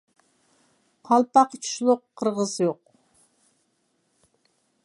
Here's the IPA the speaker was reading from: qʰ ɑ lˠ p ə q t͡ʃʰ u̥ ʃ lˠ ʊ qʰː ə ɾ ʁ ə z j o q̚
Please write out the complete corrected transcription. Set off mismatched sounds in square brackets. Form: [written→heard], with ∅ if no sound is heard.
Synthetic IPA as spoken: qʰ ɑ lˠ p [ə→ɑ] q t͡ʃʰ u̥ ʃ lˠ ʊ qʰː ə ɾ ʁ ə z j o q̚